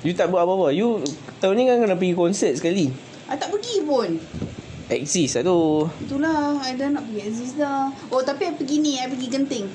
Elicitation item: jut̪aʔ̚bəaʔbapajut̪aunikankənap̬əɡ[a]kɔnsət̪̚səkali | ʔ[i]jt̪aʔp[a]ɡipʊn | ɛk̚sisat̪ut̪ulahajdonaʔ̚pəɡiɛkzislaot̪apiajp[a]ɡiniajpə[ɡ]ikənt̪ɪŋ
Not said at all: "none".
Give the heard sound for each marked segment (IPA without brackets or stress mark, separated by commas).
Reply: i, a, ə, ə, ɡ